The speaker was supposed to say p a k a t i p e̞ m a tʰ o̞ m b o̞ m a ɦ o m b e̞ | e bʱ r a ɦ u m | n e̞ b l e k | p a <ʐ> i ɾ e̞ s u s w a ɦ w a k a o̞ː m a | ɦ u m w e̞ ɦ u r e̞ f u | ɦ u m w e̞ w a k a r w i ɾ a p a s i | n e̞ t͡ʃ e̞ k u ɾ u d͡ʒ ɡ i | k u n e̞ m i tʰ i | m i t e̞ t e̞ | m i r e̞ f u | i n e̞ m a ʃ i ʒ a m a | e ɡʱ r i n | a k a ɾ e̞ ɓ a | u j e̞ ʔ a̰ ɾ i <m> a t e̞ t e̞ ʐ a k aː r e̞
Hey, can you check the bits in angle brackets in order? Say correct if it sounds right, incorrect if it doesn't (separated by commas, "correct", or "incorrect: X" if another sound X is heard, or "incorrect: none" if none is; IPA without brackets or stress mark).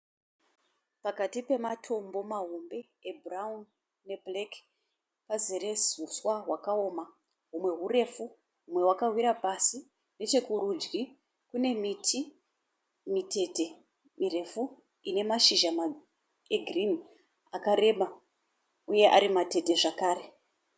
incorrect: z, correct